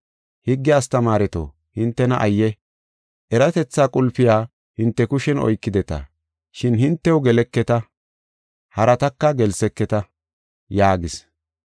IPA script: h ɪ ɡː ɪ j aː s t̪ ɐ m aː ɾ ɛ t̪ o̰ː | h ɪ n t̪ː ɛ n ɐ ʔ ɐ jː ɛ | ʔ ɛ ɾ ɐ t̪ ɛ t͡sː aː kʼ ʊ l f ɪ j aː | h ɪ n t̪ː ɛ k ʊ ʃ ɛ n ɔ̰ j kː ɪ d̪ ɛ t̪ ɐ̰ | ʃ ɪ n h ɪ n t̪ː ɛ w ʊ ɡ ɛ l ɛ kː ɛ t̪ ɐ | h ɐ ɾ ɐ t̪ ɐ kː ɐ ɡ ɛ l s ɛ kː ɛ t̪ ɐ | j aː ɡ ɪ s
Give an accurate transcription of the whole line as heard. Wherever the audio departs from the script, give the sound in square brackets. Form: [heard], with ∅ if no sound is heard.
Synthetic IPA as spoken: h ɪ ɡː ɪ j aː s t̪ ɐ m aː ɾ ɛ t̪ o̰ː | h ɪ n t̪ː ɛ n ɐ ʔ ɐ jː ɛ | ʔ ɛ ɾ ɐ t̪ ɛ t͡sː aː kʼ ʊ l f ɪ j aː | h ɪ n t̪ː ɛ k ʊ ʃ ɛ n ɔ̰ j kː ɪ d̪ ɛ t̪ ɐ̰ | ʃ ɪ n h ɪ n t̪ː ɛ w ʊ ɡ ɛ l ɛ kː ɛ t̪ ɐ | h ɐ ɾ ɐ t̪ ɐ kː ɐ ɡ ɛ l s ɛ kː ɛ t̪ ɐ | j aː ɡ ɪ s